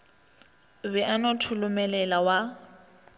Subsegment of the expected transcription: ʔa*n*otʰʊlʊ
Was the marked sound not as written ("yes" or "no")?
no